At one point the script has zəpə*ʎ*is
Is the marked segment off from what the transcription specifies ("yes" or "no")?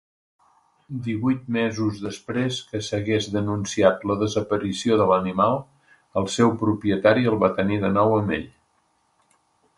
yes